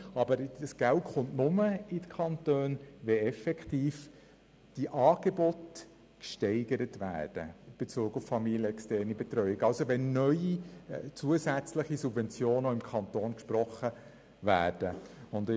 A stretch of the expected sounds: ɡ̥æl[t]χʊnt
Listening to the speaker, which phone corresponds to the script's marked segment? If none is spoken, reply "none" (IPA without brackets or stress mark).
t